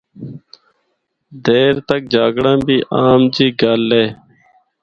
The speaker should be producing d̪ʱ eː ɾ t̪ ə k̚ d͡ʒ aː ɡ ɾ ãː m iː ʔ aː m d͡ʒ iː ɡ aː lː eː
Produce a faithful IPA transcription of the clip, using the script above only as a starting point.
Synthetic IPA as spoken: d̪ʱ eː ɾ t̪ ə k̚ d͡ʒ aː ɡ ɽ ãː b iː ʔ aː m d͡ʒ iː ɡ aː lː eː